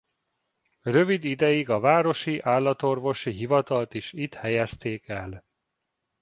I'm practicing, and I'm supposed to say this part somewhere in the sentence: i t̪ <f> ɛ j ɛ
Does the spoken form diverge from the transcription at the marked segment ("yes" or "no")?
yes